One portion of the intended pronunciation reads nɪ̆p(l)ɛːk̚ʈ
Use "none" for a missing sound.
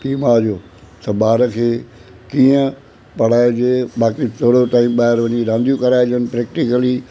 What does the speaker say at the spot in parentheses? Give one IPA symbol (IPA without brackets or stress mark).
ɾ